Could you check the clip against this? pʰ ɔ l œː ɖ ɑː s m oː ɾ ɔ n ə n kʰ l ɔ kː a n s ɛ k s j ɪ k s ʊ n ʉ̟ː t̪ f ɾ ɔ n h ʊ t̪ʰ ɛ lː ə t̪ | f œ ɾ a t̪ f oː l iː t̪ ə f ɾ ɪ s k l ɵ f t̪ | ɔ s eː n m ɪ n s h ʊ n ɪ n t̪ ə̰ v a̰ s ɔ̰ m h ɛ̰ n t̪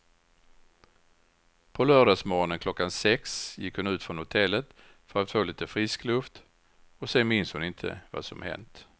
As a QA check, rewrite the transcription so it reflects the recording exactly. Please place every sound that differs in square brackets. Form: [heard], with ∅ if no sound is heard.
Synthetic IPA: pʰ ɔ l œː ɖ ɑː s m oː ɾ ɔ n ə n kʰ l ɔ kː a n s ɛ k s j ɪ k [h] ʊ n ʉ̟ː t̪ f ɾ ɔ n h ʊ t̪ʰ ɛ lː ə t̪ | f œ ɾ a t̪ f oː l iː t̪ ə f ɾ ɪ s k l ɵ f t̪ | ɔ s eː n m ɪ n s h ʊ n ɪ n [t̪ʰ] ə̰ v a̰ s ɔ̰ m h ɛ̰ n t̪